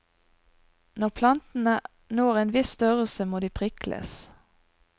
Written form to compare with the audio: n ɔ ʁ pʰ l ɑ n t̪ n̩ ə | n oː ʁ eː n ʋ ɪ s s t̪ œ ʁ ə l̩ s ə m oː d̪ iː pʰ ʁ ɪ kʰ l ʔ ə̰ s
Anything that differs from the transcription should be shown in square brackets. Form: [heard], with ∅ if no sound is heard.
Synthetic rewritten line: n ɔ ʁ pʰ l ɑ n t̪ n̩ ə | n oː ʁ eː n ʋ ɪ s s t̪ œ ʁ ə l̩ s ə m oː d̪ iː pʰ ʁ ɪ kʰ l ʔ ə̰ s

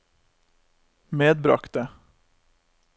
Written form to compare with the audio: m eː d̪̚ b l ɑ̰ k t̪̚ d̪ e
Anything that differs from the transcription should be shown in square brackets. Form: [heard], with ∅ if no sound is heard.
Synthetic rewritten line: m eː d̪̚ b [ɾ] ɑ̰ k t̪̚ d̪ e

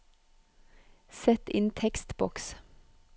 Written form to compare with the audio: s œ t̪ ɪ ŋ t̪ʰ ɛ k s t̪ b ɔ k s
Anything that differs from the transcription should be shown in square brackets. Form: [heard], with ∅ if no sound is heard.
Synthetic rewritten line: s [ɛ] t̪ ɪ [n] t̪ʰ ɛ k s t̪ b ɔ k s

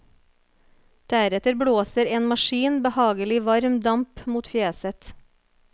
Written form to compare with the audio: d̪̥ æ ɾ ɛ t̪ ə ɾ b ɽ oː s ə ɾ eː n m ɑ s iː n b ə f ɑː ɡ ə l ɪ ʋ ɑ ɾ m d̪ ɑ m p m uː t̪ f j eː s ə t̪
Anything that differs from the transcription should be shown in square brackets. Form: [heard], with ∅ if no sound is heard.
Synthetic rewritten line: d̪̥ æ ɾ ɛ t̪ ə ɾ b ɽ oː s ə ɾ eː n m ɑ [ʃ] iː n b ə [h] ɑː ɡ ə l ɪ ʋ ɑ ɾ m d̪ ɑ m p m uː t̪ f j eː s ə t̪

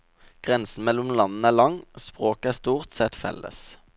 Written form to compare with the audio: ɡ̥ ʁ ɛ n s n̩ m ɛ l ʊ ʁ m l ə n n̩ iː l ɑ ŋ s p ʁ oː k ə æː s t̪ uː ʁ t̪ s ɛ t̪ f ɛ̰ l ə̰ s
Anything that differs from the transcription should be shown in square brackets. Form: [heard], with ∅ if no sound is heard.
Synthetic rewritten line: ɡ̥ ʁ ɛ n s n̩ m ɛ l ʊ [∅] m l [ɑ] n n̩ [æː] l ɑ ŋ s p ʁ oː k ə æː s t̪ uː ʁ t̪ s ɛ t̪ f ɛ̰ l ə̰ s

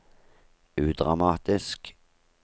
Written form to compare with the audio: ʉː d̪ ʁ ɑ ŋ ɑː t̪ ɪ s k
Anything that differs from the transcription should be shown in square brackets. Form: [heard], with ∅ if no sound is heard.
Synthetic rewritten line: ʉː d̪ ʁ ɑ [m] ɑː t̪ ɪ s k

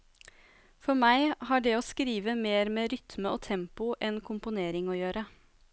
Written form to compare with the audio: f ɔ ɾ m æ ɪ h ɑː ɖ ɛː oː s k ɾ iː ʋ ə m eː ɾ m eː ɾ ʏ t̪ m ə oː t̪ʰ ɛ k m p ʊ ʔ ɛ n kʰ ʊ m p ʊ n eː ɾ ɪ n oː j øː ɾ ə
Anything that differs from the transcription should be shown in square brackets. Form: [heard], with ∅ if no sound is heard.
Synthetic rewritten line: f ɔ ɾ m æ ɪ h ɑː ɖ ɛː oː s k ɾ iː ʋ ə m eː ɾ m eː ɾ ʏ t̪ m ə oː t̪ʰ ɛ [∅] m p ʊ ʔ ɛ n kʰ ʊ m p ʊ n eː ɾ ɪ [ŋ] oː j øː ɾ ə

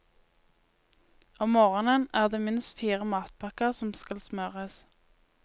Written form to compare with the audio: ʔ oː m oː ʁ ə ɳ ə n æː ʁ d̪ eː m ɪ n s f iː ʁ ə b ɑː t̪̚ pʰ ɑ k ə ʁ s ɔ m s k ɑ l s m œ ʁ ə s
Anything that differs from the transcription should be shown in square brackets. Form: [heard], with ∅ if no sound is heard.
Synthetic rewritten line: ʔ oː m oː ʁ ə [n] ə n æː ʁ d̪ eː m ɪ n s f iː ʁ ə [m] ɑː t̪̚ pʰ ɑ k ə ʁ s ɔ m s k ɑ l s m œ ʁ ə s

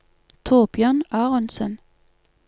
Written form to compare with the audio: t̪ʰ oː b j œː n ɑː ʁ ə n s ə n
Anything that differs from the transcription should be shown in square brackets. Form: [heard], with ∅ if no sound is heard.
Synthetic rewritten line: t̪ʰ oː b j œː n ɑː ʁ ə n s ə n

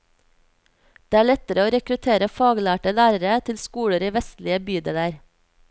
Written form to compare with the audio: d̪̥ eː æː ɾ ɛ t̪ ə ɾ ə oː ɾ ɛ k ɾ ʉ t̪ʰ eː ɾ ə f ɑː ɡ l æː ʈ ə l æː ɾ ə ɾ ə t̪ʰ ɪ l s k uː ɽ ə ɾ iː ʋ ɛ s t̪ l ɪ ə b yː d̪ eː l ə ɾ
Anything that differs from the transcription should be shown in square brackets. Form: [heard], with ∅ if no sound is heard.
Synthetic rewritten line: d̪̥ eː æː [ɭ] ɛ t̪ ə ɾ ə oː ɾ ɛ k ɾ ʉ t̪ʰ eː ɾ ə f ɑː ɡ l æː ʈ ə l æː ɾ ə ɾ ə t̪ʰ ɪ l s k uː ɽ ə ɾ iː ʋ ɛ s t̪ l ɪ ə b yː d̪ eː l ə ɾ

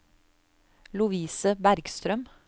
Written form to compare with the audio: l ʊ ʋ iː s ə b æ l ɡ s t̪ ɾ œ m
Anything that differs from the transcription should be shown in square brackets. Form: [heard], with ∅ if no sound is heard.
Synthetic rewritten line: l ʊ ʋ iː s ə b æ [ɾ] ɡ s t̪ ɾ œ m

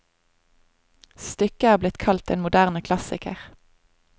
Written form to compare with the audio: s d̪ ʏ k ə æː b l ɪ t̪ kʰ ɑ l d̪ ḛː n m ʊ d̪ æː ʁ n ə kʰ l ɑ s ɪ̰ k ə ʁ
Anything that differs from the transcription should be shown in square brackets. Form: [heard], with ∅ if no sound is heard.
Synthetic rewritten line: s [t̪] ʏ k ə æː b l ɪ t̪ kʰ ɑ l [t̪] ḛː n m ʊ d̪ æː ʁ n ə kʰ l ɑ s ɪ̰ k ə ʁ

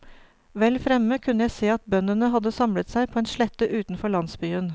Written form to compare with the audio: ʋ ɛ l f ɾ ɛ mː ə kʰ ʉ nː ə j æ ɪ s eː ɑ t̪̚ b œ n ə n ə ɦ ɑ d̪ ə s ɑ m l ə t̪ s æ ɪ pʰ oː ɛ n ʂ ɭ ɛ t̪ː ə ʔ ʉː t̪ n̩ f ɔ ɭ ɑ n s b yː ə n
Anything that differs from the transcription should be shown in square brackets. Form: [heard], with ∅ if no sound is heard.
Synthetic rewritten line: ʋ ɛ l f ɾ ɛ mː ə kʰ ʉ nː ə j æ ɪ s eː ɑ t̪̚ b œ n ə n ə ɦ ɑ d̪ ə s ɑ m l ə t̪ s æ ɪ pʰ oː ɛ n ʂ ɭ ɛ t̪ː ə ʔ ʉː t̪ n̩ f ɔ ɭ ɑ n s b yː ə n

